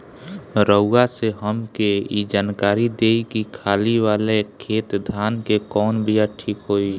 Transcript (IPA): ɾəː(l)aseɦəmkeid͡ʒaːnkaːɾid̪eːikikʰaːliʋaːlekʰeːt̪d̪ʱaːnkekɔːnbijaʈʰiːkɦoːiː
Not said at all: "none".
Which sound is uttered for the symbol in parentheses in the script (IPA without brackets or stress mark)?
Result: none